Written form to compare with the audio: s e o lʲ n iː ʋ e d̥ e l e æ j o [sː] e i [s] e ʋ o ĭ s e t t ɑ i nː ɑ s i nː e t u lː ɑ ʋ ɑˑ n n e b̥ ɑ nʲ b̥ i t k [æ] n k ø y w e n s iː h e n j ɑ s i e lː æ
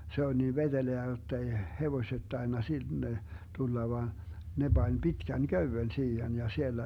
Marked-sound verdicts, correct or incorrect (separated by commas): incorrect, incorrect, correct